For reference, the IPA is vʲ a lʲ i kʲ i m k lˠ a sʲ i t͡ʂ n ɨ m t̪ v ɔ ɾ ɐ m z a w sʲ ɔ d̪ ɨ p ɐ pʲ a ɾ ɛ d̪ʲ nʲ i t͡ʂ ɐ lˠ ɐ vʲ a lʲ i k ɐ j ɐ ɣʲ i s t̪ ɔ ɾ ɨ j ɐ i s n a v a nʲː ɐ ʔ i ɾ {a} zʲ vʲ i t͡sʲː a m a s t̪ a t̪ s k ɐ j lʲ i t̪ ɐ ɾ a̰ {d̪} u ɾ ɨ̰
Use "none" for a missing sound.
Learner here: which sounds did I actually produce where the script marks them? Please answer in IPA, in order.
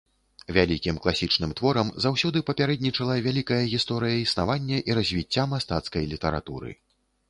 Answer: ɐ, t̪

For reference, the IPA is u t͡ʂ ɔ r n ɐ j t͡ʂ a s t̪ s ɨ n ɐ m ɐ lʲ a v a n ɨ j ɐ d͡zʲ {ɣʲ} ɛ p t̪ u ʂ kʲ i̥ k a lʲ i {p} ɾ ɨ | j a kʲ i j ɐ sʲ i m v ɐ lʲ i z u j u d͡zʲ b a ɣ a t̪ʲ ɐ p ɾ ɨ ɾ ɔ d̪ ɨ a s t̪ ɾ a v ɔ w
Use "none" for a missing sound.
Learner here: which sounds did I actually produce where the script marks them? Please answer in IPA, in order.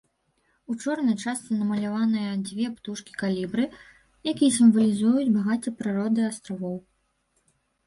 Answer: vʲ, b

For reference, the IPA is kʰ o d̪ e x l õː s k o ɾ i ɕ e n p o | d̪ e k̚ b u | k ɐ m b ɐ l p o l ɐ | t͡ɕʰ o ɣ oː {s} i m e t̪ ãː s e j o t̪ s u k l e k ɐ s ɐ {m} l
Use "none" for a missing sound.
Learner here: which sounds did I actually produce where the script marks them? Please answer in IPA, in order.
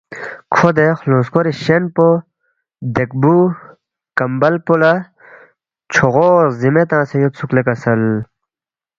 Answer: z, none

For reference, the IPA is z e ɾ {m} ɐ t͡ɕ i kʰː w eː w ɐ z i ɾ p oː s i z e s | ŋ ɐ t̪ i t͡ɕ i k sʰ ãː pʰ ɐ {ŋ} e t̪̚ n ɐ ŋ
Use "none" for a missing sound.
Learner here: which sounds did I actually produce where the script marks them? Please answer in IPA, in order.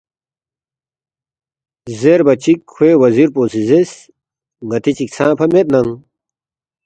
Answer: b, m

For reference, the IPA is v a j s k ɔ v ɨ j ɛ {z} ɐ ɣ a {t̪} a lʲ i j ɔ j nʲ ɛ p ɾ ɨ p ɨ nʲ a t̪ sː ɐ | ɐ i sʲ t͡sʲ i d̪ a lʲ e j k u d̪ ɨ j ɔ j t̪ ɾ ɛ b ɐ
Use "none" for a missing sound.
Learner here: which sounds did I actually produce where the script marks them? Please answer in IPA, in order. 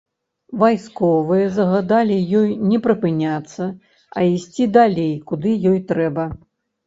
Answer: z, d̪

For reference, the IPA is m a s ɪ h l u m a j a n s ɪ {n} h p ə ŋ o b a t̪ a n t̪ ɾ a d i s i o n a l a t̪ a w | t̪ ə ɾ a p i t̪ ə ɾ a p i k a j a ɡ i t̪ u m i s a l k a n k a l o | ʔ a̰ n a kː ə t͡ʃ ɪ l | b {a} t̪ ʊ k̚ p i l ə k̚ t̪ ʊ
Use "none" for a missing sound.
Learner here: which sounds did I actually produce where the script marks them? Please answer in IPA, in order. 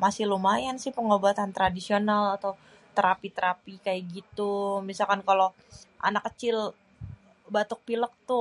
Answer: none, a

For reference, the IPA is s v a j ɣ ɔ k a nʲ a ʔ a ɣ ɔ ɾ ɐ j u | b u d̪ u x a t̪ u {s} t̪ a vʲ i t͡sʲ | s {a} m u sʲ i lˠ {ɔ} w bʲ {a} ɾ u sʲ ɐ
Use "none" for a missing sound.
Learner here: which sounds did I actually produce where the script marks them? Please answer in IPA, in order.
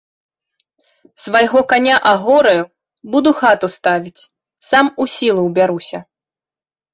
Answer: s, a, u, a

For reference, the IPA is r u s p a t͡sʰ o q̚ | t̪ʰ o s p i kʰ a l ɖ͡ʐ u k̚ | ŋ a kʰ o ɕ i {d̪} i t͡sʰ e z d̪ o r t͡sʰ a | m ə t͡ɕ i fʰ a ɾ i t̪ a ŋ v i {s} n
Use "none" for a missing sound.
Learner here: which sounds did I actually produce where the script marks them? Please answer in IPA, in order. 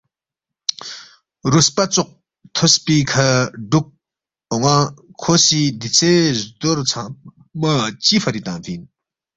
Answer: d̪, none

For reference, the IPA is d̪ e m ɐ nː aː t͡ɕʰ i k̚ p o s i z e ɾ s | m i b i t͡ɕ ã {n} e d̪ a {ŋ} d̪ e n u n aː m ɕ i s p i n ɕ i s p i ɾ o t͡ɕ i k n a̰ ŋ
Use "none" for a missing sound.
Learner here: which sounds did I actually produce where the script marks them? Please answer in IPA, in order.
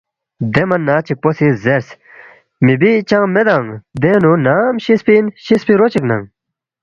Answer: m, ŋ

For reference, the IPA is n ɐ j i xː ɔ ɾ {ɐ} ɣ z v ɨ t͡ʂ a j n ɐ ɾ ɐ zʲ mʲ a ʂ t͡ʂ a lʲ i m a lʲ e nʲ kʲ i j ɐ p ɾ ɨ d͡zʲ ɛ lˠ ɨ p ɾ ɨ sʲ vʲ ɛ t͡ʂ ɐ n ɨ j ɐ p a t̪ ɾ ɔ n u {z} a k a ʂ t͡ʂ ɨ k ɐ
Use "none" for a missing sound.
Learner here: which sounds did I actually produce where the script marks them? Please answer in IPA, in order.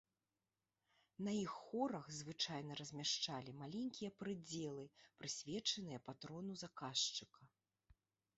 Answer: ɐ, z

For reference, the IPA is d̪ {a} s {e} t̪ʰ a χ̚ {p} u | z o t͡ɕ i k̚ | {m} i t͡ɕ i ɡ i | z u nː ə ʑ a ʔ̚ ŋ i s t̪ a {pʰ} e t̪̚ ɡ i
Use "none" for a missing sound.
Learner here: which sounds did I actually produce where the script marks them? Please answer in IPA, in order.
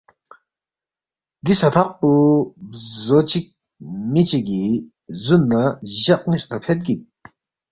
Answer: i, a, p, m, pʰ

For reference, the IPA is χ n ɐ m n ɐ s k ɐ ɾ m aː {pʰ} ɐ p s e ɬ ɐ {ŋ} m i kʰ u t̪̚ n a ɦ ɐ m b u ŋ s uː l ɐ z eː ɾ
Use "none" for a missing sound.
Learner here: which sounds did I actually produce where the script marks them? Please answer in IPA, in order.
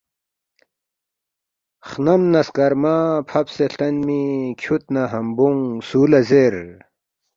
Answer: pʰ, n

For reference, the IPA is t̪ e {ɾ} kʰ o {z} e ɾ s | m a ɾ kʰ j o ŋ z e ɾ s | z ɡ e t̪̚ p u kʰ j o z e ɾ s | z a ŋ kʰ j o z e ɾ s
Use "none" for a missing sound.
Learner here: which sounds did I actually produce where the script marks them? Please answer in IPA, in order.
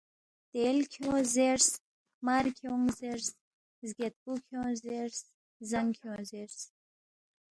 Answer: l, z

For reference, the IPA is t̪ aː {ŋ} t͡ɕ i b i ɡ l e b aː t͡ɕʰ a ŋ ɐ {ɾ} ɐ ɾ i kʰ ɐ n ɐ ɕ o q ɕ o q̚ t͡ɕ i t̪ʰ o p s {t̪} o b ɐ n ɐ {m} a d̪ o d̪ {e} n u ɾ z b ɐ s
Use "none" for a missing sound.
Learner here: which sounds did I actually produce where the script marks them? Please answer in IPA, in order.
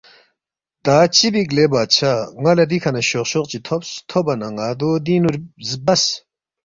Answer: none, l, t̪ʰ, ŋ, i

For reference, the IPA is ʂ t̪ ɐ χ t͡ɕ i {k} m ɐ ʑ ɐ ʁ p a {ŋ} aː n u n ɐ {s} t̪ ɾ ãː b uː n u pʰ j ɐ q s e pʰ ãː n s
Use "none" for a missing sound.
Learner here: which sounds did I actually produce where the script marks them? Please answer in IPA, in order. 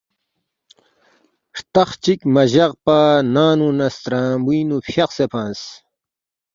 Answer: k, n, s

